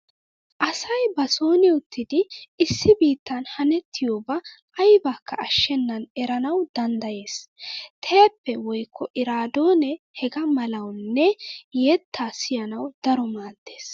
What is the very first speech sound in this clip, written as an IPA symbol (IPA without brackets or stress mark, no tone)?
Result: ʔ